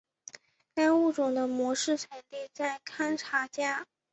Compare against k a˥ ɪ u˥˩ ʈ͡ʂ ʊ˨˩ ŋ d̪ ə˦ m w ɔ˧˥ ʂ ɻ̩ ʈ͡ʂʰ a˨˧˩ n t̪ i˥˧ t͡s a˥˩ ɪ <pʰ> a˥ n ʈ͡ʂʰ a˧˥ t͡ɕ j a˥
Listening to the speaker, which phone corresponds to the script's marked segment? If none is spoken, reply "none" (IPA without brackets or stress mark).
kʰ